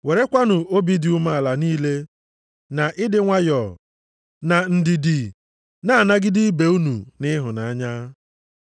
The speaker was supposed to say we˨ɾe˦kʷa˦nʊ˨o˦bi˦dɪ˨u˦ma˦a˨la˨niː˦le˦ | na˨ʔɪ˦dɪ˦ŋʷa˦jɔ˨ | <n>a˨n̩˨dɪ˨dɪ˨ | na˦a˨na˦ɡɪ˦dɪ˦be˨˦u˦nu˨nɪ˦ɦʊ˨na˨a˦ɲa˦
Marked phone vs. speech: correct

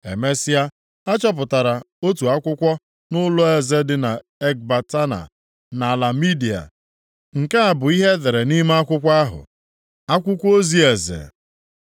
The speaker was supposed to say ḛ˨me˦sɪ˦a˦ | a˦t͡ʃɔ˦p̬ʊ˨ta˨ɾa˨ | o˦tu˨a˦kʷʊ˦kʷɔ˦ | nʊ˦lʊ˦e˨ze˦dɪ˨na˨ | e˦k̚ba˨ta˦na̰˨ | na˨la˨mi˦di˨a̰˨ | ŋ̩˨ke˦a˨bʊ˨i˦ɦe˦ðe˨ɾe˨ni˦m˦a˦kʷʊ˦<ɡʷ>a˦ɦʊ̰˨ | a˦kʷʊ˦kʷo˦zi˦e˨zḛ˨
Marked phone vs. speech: incorrect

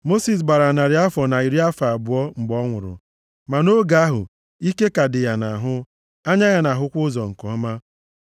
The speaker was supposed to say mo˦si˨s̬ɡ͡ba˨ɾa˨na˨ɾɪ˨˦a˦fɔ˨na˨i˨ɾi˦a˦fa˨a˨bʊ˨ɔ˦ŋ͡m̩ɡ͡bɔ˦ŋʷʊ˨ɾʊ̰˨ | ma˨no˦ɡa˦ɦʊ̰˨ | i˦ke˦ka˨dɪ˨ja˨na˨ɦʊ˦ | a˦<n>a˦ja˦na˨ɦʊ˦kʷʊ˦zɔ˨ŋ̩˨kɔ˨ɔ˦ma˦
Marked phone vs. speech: incorrect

